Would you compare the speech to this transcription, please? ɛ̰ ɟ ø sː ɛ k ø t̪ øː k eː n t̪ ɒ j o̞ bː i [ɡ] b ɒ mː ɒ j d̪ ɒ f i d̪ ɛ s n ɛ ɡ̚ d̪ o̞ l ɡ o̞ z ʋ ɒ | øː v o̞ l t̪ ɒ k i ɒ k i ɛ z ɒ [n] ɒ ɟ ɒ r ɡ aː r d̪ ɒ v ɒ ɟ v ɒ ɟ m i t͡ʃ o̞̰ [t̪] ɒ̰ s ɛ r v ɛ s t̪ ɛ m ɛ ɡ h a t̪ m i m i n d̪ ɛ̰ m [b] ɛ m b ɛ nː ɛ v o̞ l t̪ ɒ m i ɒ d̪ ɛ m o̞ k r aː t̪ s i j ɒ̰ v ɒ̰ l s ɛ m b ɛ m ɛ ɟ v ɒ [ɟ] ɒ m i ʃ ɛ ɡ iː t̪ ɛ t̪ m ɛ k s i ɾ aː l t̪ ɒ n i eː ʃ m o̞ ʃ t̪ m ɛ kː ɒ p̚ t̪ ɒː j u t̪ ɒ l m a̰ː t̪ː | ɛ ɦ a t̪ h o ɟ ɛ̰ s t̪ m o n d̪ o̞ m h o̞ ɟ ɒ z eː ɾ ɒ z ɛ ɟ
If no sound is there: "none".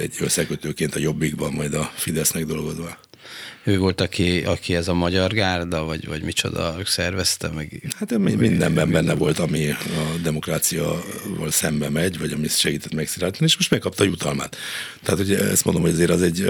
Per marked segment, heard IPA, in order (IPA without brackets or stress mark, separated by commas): ɡ, m, d̪, b, ɟ